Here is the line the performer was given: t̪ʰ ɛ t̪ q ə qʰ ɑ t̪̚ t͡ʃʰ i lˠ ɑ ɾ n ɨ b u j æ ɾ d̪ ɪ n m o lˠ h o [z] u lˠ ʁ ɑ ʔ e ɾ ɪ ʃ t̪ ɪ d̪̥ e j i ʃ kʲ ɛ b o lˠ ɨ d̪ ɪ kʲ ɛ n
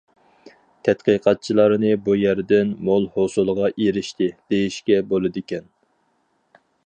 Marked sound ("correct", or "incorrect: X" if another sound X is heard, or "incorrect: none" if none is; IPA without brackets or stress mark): incorrect: s